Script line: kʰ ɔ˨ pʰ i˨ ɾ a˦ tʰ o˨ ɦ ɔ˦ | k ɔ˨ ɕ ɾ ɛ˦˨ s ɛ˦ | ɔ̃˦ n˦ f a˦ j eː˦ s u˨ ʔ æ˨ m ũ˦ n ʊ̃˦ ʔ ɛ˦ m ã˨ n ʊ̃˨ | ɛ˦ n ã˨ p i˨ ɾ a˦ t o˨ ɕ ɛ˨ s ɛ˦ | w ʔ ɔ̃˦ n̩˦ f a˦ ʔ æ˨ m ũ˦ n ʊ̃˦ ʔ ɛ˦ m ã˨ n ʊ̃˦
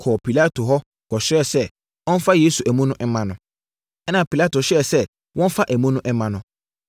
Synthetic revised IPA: kʰ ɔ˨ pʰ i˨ l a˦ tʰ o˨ ɦ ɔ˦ | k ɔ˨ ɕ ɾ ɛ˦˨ s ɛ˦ | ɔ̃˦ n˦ f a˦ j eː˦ s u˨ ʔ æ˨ m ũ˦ n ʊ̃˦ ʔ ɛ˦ m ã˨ n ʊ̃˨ | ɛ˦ n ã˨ p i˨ l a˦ t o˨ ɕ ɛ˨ s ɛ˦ | w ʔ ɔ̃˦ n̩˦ f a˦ ʔ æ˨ m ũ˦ n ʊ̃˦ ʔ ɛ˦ m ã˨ n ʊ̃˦